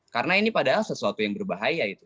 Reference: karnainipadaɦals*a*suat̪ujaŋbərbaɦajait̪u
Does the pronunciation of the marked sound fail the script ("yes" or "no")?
yes